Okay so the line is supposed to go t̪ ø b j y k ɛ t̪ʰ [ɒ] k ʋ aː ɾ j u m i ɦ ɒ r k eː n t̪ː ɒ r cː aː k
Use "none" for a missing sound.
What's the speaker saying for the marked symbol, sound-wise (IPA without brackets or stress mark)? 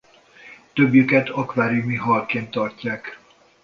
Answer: ɒ